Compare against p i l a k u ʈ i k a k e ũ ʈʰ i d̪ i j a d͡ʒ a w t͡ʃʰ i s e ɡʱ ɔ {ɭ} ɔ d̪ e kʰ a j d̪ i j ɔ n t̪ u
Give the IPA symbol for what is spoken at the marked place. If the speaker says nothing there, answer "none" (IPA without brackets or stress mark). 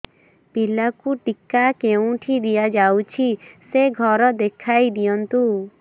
ɾ